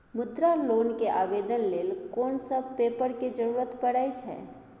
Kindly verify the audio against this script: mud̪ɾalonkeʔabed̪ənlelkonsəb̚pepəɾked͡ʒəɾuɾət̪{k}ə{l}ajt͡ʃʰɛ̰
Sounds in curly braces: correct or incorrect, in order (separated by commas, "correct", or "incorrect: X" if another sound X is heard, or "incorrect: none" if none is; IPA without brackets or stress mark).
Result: incorrect: p, incorrect: ɽ